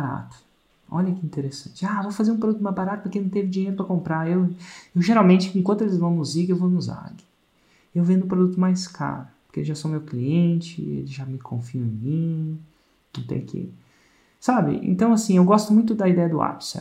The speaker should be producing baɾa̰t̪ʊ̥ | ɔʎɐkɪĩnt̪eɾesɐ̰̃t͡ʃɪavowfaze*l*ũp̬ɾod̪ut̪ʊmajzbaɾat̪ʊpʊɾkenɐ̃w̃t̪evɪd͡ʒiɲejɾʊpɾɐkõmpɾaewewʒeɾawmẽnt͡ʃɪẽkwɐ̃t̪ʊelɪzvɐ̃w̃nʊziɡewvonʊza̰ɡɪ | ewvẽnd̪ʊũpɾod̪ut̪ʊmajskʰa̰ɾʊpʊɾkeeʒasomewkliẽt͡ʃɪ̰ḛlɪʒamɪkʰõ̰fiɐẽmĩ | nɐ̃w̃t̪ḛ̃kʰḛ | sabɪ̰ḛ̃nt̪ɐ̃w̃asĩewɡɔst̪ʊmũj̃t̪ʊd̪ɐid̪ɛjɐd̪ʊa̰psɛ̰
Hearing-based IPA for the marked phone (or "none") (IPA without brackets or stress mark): ɾ